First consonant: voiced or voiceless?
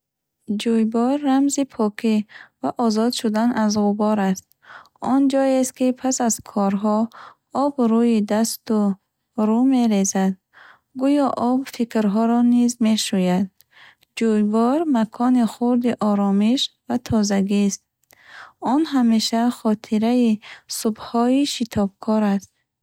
voiced